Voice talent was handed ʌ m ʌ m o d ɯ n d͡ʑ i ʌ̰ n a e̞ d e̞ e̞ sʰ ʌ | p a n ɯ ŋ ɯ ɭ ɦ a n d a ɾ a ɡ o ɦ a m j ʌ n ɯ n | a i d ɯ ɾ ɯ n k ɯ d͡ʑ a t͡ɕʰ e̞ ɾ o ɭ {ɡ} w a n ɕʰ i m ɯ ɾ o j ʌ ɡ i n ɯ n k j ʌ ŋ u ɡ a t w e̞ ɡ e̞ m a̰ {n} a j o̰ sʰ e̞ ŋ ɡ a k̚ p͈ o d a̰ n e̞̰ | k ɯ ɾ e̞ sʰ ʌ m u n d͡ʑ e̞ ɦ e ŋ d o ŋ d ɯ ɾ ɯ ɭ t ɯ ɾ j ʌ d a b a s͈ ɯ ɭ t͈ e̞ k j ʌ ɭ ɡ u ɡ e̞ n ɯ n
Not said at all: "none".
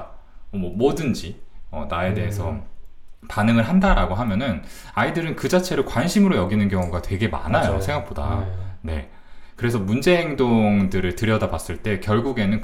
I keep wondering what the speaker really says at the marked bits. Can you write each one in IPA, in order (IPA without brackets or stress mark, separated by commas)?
k, n